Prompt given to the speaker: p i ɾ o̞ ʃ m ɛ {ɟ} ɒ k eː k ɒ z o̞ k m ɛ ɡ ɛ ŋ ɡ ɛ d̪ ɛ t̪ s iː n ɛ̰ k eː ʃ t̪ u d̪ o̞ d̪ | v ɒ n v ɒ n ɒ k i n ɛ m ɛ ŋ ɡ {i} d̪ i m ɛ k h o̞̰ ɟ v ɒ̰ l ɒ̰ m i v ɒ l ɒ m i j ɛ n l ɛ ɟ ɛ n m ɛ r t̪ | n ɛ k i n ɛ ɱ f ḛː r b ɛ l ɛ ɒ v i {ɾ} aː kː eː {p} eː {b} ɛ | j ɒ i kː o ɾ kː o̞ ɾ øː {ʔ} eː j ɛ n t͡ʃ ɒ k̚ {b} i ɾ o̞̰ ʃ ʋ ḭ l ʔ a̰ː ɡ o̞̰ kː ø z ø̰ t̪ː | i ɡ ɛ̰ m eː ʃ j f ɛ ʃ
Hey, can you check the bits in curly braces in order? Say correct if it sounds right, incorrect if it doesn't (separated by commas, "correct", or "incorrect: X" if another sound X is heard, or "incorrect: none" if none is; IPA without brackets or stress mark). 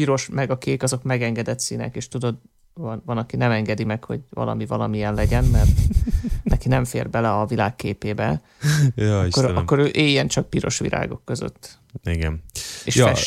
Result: incorrect: ɡ, incorrect: ɛ, incorrect: l, correct, correct, correct, incorrect: p